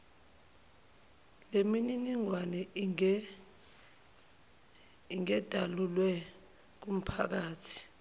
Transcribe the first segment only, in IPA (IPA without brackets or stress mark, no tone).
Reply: l